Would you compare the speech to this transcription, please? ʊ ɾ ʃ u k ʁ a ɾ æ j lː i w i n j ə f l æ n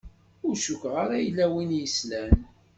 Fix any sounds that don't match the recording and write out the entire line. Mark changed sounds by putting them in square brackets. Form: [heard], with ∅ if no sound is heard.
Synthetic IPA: ʊ ɾ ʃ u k ʁ a ɾ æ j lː [æ] w i n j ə [s] l æ n